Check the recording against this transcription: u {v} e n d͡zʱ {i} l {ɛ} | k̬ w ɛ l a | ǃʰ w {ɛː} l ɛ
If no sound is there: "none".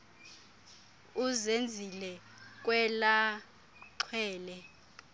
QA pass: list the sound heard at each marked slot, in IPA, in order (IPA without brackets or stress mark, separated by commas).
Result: z, i, ɛ, ɛː